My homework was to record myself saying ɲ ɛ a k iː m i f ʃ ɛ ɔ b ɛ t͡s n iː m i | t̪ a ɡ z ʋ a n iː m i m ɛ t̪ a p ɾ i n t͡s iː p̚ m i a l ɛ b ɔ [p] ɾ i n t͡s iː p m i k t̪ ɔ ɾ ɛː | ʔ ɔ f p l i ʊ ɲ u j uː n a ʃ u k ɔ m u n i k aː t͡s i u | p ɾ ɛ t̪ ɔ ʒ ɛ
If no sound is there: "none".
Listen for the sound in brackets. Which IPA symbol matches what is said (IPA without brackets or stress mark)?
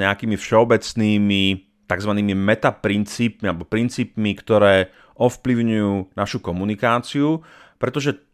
p